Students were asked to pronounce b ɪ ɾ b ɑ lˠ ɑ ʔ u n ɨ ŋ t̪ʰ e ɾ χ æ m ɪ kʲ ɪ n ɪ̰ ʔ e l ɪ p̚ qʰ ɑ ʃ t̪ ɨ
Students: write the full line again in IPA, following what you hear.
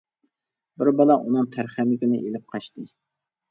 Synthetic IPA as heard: b ɪ ɾ b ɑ lˠ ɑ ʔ u n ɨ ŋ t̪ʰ æ ɾ χ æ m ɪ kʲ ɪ n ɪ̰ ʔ e l ɪ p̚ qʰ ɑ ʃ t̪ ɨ